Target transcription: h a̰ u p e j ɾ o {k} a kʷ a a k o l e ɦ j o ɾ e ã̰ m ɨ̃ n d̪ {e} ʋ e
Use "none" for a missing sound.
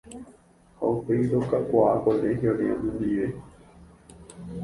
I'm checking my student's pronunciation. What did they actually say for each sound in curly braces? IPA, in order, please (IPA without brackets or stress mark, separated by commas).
k, i